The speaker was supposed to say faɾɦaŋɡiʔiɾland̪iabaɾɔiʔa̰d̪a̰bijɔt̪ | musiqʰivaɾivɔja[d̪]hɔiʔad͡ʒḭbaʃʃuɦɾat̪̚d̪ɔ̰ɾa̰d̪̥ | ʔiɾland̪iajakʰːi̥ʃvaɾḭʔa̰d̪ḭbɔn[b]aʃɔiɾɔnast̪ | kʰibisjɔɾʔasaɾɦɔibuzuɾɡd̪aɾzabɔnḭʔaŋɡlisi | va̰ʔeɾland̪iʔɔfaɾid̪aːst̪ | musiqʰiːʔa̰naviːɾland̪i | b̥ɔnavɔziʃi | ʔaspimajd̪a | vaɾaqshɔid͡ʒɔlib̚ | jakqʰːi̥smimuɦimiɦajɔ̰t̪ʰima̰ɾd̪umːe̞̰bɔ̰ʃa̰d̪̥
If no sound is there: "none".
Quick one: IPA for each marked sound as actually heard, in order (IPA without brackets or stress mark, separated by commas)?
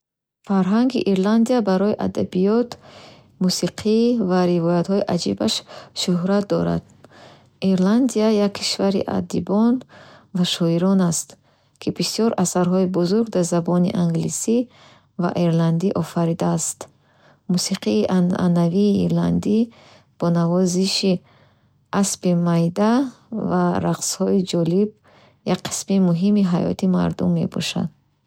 t̪, v